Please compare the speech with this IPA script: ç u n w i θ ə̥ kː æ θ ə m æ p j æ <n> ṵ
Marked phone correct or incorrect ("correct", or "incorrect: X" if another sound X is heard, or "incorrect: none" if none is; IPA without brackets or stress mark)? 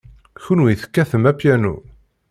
correct